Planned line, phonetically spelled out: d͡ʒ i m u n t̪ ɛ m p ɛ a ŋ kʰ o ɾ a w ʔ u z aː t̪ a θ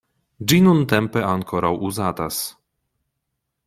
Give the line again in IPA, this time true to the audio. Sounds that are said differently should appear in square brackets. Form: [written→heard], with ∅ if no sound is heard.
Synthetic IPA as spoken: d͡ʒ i [m→n] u n t̪ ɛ m p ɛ a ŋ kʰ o ɾ a w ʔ u z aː t̪ a [θ→s]